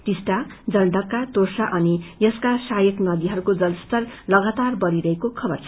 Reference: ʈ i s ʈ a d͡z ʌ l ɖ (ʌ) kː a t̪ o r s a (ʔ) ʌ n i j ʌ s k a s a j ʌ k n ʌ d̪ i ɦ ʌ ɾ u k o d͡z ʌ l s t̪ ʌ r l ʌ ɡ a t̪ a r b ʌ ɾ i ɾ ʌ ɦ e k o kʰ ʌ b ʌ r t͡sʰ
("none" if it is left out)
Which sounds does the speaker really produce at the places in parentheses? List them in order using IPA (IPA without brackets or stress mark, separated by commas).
ʌ, ʔ